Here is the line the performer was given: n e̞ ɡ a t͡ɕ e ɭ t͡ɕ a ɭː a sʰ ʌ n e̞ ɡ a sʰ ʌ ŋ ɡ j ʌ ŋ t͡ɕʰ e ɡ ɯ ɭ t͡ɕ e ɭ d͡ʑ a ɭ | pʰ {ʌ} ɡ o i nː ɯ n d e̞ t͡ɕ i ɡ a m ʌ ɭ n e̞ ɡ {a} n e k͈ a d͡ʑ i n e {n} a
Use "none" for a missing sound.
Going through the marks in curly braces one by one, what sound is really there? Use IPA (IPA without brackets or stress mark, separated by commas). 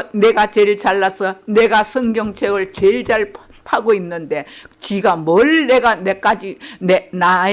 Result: a, a, n